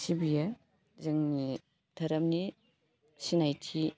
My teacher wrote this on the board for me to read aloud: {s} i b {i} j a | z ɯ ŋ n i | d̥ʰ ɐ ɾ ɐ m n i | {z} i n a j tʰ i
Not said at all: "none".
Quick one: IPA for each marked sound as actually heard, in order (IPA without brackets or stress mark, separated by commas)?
s, i, s